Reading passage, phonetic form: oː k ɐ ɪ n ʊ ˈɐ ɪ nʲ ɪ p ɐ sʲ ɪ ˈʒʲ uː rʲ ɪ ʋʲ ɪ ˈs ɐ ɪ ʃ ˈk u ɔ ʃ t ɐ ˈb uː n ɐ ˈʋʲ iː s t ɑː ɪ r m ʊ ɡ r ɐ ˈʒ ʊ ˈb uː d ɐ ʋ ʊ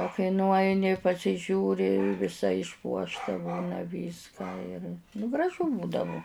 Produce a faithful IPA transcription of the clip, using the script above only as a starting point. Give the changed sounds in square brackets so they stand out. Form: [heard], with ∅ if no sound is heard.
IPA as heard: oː k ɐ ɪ n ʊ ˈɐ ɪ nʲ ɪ p ɐ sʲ ɪ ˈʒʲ uː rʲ ɪ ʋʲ ɪ ˈs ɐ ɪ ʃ [ˈp] u ɔ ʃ t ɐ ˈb uː n ɐ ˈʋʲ iː s [k] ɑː ɪ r [n] ʊ ɡ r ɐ ˈʒ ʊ ˈb uː d ɐ ʋ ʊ